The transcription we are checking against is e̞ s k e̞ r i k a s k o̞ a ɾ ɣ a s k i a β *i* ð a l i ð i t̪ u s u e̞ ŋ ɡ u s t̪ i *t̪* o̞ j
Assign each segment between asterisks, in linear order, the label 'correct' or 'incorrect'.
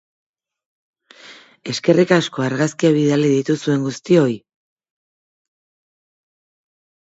correct, incorrect: none

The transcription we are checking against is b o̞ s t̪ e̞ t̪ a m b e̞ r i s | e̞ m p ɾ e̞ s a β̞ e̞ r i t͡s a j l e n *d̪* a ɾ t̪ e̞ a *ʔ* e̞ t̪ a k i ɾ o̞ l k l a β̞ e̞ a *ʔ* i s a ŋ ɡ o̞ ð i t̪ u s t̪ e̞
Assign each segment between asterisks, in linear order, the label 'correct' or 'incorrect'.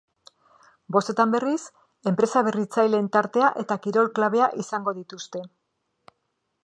incorrect: t̪, correct, correct

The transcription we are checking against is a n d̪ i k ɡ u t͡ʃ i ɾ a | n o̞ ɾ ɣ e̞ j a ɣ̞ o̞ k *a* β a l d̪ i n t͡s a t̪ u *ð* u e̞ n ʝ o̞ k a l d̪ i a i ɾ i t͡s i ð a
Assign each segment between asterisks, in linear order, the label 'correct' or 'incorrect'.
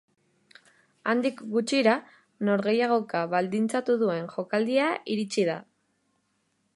correct, correct

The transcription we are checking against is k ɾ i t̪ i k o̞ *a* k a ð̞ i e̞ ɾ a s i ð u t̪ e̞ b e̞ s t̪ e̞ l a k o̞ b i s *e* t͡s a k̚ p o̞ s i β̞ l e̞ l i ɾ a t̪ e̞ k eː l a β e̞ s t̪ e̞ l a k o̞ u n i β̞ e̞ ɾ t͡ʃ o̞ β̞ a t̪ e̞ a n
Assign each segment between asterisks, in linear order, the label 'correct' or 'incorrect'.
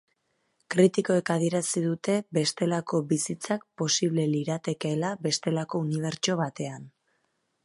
incorrect: e, incorrect: i

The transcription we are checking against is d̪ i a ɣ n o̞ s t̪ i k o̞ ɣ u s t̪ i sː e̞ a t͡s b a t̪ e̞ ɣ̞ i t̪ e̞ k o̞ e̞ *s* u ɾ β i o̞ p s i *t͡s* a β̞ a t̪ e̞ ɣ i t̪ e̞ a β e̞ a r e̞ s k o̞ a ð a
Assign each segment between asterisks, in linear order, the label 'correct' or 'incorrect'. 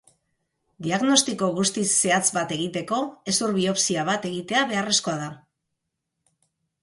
correct, incorrect: none

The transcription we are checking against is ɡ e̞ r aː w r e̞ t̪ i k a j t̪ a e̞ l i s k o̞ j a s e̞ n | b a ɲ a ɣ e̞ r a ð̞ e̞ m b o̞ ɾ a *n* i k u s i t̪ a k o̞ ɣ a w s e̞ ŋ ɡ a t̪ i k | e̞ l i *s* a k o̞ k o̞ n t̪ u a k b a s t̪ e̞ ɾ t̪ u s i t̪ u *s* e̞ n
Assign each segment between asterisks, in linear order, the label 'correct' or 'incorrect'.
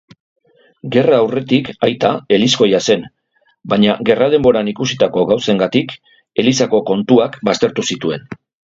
correct, correct, incorrect: none

